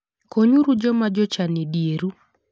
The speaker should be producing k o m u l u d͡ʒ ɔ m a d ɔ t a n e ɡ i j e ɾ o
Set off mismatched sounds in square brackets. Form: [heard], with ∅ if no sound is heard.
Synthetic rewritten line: k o [ɲ] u [ɾ] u d͡ʒ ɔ m a [d͡ʒ] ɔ [t͡ʃ] a n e [d] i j e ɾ [u]